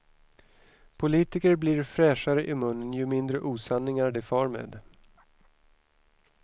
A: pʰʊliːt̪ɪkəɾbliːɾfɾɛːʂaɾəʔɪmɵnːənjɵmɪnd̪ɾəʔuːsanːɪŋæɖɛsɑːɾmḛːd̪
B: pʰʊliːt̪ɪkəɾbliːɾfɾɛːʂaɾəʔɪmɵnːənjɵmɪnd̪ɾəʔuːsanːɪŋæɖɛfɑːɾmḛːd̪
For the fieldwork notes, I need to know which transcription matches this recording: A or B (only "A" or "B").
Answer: B